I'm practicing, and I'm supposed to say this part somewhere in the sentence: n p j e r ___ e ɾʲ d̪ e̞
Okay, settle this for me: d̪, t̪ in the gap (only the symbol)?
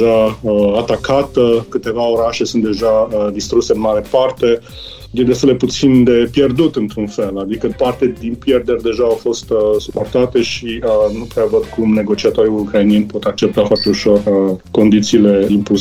d̪